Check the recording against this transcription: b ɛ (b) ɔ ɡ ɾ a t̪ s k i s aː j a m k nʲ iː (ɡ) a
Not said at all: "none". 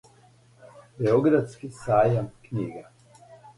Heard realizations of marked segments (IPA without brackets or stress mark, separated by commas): none, ɡ